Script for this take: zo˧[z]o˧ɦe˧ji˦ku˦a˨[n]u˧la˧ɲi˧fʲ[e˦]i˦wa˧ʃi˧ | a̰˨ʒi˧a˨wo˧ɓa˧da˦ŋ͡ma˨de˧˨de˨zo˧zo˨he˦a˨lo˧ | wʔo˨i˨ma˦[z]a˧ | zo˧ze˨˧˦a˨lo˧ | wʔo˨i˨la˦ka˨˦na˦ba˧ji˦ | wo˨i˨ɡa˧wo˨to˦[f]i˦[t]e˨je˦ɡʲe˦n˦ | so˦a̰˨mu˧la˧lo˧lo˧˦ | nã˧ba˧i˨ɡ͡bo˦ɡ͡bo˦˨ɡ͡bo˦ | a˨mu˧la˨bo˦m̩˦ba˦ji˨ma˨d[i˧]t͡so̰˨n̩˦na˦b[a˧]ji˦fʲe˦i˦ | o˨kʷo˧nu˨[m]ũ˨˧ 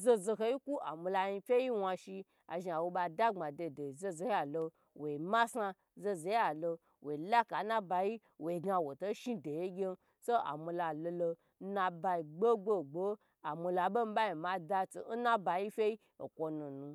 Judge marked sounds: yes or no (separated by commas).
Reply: yes, no, yes, no, no, no, no, yes, no